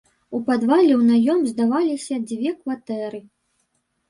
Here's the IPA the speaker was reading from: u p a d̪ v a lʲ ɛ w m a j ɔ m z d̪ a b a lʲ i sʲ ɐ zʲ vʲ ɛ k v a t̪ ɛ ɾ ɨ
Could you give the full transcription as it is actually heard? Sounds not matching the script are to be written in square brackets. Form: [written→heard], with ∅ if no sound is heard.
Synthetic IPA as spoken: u p a d̪ v a lʲ ɛ w [m→n] a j ɔ m z d̪ a [b→v] a lʲ i sʲ ɐ [zʲ→d͡zʲ] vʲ ɛ k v a t̪ ɛ ɾ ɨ